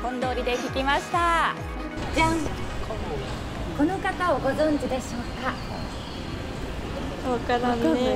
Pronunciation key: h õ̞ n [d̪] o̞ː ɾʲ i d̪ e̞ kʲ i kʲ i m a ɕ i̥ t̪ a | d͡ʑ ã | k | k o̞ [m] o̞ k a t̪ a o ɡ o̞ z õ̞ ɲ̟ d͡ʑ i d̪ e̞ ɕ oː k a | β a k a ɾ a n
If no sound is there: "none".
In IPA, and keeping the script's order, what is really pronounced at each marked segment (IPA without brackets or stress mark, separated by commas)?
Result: d̪, n